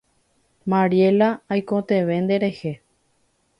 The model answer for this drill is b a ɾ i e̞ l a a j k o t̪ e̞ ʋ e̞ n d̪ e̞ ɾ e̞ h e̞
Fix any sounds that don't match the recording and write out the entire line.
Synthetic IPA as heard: m a ɾ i e̞ l a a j k o t̪ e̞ ʋ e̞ n d̪ e̞ ɾ e̞ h e̞